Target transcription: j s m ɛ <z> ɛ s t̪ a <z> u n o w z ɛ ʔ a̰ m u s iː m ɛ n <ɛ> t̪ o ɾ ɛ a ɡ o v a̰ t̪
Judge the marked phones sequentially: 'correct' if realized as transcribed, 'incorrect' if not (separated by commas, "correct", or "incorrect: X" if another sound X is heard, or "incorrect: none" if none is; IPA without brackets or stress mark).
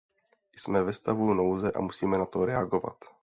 incorrect: v, incorrect: v, incorrect: a